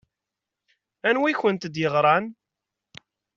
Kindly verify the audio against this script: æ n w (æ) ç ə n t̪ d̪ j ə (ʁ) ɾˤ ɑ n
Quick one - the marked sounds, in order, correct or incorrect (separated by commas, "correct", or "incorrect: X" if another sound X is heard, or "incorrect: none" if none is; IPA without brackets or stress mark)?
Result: incorrect: i, correct